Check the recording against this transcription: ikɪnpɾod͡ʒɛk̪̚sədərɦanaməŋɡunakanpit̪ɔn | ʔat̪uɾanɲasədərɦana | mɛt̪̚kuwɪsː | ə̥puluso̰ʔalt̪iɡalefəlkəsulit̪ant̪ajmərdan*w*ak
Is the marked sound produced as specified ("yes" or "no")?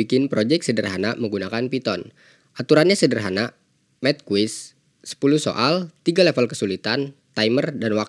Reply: yes